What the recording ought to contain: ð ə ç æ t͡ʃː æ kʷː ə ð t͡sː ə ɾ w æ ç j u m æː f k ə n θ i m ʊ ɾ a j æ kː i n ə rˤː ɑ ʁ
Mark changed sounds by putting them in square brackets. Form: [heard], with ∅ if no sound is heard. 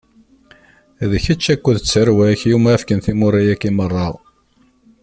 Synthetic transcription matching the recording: ð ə ç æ t͡ʃː æ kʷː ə ð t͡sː ə ɾ w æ ç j u m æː f k ə n θ i m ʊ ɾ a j æ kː i [m] ə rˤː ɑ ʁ